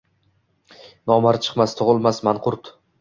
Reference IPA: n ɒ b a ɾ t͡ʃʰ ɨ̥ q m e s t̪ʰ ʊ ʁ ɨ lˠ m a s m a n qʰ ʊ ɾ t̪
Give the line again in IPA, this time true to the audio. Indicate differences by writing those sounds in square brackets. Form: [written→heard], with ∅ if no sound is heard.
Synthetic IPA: n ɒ [b→m] a ɾ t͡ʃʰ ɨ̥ q m [e→a] s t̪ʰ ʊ ʁ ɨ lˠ m a s m a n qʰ ʊ ɾ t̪

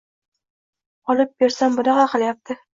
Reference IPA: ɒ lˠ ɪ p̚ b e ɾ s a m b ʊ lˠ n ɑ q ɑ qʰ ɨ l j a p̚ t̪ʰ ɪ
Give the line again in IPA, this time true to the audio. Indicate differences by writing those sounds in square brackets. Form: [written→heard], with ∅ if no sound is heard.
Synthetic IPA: ɒ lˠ ɪ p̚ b e ɾ s a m b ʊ [lˠ→∅] n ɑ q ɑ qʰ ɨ l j a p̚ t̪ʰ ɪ

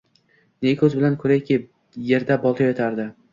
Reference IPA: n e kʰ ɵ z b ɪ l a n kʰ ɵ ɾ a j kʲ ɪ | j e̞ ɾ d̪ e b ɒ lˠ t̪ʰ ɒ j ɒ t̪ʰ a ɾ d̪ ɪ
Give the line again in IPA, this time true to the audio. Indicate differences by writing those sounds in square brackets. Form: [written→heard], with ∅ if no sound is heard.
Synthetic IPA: n e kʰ ɵ z b ɪ l a n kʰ ɵ ɾ a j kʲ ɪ | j e̞ ɾ d̪ [e→a] b ɒ lˠ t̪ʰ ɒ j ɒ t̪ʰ a ɾ d̪ ɪ

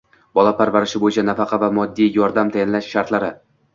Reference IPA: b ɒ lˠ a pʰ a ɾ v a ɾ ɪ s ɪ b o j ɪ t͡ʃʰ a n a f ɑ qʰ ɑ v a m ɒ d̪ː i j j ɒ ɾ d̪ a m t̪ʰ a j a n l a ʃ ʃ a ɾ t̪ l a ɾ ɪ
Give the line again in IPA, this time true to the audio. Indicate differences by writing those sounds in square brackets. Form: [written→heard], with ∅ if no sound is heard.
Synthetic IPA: b ɒ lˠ a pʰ a ɾ v a ɾ ɪ [s→ʃ] ɪ b o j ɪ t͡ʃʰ a n a f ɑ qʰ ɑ v a m ɒ d̪ː i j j ɒ ɾ d̪ a m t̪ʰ a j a n l a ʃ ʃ a ɾ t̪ l a ɾ ɪ

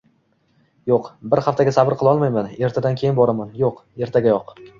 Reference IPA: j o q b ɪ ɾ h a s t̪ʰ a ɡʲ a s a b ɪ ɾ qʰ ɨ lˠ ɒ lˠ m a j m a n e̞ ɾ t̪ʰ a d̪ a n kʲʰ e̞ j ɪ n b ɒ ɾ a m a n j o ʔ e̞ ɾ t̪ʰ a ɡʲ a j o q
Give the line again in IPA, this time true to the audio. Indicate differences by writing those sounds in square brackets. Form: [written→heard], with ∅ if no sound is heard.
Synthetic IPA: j o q b ɪ ɾ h a [s→f] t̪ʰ a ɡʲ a s a b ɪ ɾ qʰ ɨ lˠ ɒ lˠ m a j m a n e̞ ɾ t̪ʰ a d̪ a n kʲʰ e̞ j ɪ n b ɒ ɾ a m a n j o [ʔ→q] e̞ ɾ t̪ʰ a ɡʲ a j [o→ɒ] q

